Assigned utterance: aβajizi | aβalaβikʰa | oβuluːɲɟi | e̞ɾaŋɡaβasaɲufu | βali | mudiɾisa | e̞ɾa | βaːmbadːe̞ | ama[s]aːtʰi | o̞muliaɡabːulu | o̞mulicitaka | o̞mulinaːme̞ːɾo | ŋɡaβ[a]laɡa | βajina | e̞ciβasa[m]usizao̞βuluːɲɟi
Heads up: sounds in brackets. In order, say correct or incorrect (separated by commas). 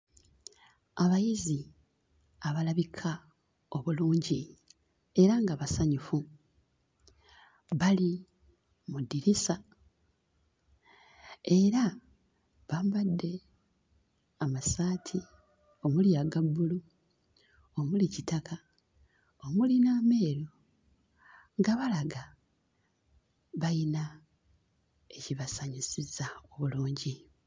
correct, correct, incorrect